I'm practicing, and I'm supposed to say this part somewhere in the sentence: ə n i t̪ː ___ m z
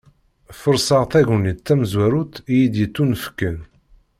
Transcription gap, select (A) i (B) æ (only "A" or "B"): B